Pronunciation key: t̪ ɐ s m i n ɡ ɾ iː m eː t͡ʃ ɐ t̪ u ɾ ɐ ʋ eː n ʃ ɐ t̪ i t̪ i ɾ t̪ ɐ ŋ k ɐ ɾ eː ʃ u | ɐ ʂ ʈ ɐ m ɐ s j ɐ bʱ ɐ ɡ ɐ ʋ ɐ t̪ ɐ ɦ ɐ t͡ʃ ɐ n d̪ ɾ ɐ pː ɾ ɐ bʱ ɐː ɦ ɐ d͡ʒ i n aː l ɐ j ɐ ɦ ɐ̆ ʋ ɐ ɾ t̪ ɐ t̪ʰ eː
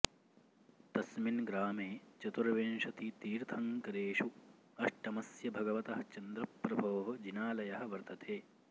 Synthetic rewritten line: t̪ ɐ s m i n ɡ ɾ aː m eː t͡ʃ ɐ t̪ u ɾ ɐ ʋ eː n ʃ ɐ t̪ i t̪ iː ɾ t̪ʰ ɐ ŋ k ɐ ɾ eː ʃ u | ɐ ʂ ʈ ɐ m ɐ s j ɐ bʱ ɐ ɡ ɐ ʋ ɐ t̪ ɐ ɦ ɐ t͡ʃ ɐ n d̪ ɾ ɐ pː ɾ ɐ bʱ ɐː ɦ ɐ d͡ʒ i n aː l ɐ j ɐ ɦ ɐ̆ ʋ ɐ ɾ t̪ ɐ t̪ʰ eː